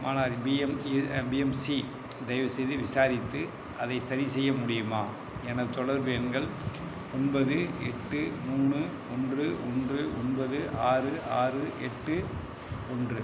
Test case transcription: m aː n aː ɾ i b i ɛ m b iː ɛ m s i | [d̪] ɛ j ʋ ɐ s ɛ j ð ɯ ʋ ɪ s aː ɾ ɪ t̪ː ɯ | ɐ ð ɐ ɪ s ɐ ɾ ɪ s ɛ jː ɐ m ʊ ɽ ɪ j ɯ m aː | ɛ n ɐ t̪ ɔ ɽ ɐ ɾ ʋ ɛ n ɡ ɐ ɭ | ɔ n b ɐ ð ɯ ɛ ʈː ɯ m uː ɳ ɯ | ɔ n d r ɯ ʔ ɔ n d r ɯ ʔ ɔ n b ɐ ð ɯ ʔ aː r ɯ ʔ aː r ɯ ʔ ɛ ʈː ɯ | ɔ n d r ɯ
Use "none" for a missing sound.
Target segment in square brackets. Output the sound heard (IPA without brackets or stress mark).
d̪